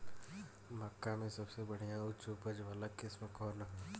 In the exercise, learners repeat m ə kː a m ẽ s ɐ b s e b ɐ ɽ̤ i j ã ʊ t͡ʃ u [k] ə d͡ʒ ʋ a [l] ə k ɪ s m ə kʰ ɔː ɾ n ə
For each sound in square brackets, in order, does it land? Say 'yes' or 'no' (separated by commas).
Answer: no, yes